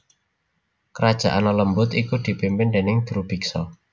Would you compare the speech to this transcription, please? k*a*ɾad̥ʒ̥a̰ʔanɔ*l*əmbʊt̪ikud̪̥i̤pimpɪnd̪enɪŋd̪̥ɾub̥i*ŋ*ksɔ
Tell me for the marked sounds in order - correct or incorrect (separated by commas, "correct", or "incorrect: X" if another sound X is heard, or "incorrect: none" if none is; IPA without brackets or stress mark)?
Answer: incorrect: ə, correct, incorrect: none